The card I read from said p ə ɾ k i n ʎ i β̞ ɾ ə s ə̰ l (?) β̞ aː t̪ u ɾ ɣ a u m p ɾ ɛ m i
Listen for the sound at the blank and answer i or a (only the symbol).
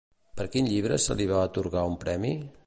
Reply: i